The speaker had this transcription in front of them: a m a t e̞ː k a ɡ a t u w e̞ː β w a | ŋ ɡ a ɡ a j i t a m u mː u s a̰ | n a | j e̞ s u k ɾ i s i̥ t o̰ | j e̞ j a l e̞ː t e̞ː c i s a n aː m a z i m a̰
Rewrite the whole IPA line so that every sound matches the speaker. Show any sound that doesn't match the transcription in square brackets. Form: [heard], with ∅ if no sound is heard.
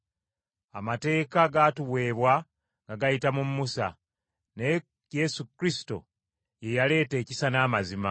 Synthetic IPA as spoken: a m a t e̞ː k a ɡ a t u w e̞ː β w a | ŋ ɡ a ɡ a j i t a m u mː u s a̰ | n [e] | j e̞ s u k ɾ i s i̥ t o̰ | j e̞ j a l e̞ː t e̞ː c i s a n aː m a z i m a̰